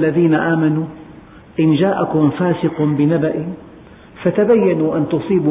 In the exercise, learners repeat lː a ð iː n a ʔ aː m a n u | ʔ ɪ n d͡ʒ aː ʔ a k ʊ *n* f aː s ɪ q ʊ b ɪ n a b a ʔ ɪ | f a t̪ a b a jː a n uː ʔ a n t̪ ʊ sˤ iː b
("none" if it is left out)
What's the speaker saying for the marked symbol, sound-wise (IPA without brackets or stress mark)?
m